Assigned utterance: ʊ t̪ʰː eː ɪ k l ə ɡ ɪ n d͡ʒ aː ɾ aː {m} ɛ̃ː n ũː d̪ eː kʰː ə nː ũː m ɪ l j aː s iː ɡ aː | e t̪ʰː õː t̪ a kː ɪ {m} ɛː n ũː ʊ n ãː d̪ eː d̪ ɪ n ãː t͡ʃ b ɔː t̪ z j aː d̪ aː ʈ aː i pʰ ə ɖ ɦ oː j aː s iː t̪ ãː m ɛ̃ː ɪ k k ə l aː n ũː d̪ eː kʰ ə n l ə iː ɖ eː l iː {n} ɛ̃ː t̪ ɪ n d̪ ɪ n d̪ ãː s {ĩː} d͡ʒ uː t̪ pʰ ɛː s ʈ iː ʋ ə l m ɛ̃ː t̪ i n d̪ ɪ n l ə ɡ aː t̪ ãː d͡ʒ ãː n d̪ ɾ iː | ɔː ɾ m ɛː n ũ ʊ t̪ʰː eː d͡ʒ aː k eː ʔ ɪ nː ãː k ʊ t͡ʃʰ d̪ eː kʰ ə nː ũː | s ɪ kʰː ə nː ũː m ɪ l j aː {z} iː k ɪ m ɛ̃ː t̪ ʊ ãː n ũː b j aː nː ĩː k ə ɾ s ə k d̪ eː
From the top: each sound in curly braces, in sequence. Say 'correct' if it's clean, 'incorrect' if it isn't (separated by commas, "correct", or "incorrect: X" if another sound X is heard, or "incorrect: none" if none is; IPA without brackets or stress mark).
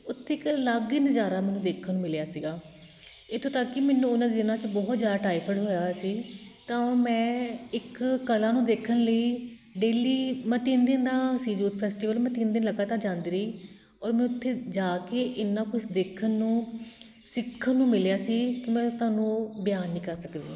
correct, correct, incorrect: m, incorrect: iː, incorrect: s